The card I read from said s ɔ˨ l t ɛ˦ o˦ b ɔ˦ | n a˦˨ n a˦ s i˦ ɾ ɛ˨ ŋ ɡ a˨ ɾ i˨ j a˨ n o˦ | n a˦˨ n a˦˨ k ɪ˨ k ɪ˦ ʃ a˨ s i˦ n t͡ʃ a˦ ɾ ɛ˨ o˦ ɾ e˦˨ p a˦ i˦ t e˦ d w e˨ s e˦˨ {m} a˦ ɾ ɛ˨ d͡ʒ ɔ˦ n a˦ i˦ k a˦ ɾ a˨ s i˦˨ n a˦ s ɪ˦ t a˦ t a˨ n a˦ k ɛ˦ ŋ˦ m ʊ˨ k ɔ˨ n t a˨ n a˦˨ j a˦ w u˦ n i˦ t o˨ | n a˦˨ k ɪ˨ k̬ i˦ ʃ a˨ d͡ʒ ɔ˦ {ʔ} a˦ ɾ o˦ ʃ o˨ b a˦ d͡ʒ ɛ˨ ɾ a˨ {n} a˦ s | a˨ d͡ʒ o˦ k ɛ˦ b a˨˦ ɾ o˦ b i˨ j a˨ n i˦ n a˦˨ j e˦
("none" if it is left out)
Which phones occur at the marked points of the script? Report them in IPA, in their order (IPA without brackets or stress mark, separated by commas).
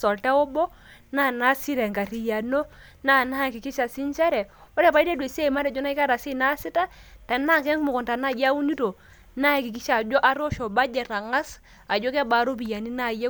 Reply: m, ʔ, ŋ